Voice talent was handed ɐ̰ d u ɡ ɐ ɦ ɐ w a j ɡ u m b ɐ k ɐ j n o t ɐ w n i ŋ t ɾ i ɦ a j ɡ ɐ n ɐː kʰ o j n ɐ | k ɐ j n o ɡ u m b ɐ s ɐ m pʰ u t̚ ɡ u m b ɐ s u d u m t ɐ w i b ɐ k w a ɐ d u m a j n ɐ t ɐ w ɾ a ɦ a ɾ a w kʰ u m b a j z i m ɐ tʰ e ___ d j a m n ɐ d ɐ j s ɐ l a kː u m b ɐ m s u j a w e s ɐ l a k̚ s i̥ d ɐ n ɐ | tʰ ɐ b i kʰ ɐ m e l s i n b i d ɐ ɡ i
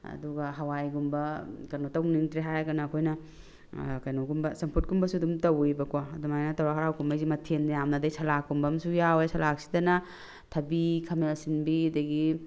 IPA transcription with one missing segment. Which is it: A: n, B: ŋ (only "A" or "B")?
A